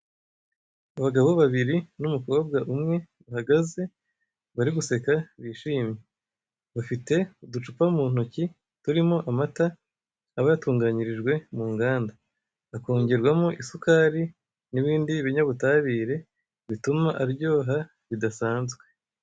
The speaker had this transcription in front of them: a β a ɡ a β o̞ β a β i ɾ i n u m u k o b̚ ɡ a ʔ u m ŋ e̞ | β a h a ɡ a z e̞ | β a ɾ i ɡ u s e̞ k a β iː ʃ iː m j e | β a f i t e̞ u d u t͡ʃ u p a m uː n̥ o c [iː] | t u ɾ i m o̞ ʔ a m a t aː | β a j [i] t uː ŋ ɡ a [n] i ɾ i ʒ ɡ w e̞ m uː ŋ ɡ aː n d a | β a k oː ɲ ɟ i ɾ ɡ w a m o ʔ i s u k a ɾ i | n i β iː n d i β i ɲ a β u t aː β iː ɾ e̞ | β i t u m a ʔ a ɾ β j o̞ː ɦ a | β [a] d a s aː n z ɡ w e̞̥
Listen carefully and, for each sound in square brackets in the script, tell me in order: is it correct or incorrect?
incorrect: i, incorrect: a, incorrect: ɲ, incorrect: i

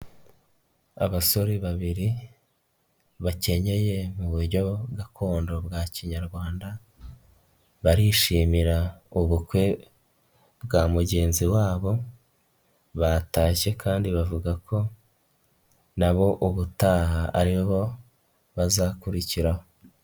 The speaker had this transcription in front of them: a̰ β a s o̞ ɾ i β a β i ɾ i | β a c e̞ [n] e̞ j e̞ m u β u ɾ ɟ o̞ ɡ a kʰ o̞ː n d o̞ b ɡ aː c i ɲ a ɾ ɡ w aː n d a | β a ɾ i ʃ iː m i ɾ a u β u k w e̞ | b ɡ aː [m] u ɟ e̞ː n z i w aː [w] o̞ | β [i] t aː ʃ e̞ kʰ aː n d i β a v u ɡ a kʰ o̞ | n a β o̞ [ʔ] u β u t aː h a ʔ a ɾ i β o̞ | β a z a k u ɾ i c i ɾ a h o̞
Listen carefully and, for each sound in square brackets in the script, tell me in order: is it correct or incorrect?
incorrect: ɲ, correct, incorrect: β, incorrect: a, correct

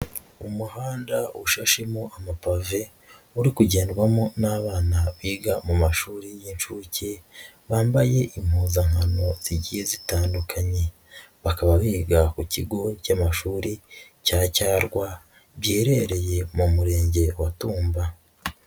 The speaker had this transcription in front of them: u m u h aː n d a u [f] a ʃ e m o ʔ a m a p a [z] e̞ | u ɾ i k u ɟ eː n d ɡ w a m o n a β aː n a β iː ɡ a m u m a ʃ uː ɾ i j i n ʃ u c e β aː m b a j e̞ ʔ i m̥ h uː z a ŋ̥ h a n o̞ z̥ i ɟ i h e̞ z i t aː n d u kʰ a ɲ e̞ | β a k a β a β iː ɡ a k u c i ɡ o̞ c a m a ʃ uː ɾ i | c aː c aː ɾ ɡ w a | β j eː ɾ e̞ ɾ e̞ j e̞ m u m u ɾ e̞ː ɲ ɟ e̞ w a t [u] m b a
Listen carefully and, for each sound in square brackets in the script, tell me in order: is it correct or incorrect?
incorrect: ʃ, incorrect: v, incorrect: uː

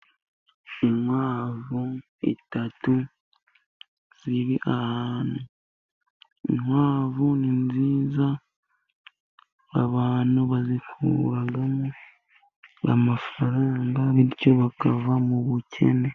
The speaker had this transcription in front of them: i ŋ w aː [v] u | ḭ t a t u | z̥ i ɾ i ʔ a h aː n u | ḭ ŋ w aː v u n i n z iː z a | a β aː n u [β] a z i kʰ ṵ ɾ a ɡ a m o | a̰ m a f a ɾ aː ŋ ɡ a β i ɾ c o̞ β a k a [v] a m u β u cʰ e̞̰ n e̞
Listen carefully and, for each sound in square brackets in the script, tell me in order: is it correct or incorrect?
correct, correct, correct

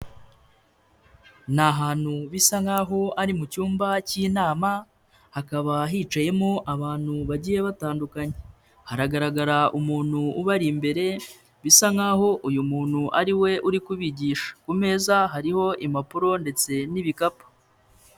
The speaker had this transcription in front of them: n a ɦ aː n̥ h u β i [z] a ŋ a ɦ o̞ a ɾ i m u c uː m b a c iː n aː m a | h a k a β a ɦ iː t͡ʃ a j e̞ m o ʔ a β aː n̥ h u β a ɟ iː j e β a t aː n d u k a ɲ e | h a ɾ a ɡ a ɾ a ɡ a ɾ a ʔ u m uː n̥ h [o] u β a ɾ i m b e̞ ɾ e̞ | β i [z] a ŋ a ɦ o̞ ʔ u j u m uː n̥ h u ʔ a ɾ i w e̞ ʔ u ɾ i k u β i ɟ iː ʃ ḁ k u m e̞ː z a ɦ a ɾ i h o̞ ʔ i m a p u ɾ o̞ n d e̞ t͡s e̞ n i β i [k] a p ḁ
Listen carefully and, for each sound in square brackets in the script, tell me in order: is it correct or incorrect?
incorrect: s, incorrect: u, incorrect: s, correct

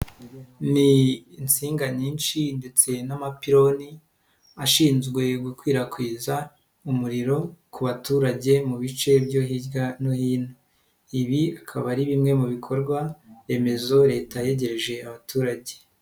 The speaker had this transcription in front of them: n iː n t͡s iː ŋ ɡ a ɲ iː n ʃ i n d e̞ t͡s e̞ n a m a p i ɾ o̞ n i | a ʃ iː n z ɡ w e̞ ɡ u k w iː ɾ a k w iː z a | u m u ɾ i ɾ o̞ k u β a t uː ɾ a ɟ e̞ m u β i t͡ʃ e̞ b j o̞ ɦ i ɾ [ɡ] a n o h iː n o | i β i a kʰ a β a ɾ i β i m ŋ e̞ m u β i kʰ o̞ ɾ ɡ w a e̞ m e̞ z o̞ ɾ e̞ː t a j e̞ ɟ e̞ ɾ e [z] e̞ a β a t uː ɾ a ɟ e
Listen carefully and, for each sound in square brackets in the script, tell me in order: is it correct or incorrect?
correct, incorrect: ʒ

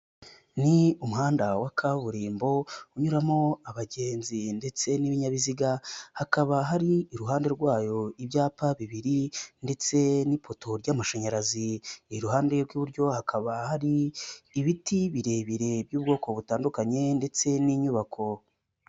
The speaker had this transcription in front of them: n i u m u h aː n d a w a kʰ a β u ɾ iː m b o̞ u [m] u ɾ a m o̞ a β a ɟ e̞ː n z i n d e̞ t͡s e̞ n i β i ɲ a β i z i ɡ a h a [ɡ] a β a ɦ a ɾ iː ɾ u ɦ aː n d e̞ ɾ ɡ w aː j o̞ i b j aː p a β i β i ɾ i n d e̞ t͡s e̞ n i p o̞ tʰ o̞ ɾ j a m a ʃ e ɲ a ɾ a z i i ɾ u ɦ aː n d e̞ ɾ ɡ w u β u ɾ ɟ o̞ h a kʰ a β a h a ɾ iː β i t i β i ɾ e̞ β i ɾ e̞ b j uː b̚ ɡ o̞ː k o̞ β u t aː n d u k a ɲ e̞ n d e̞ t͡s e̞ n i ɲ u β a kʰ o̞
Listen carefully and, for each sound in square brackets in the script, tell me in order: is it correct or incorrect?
incorrect: ɲ, incorrect: k

